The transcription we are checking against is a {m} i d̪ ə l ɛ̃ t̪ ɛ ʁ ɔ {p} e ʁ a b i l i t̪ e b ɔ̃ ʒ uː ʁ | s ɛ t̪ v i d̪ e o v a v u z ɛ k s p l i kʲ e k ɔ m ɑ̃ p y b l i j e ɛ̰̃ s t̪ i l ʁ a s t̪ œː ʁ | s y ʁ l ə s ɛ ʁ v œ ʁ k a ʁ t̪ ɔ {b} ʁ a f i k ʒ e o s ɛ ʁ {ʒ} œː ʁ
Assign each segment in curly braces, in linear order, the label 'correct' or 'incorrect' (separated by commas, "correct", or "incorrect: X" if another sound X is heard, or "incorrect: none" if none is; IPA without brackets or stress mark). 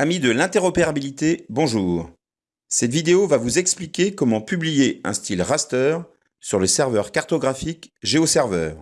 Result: correct, correct, incorrect: ɡ, incorrect: v